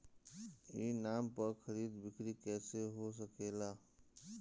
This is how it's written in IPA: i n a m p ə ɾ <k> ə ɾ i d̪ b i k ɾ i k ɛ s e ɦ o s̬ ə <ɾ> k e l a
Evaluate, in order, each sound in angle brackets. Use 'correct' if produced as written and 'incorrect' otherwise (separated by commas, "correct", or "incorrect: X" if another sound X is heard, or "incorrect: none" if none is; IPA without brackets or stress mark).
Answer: incorrect: kʰ, incorrect: none